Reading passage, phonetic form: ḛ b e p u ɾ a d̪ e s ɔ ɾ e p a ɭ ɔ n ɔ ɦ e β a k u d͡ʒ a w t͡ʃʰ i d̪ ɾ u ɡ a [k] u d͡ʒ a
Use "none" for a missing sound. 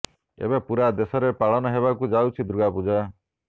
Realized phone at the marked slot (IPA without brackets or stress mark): p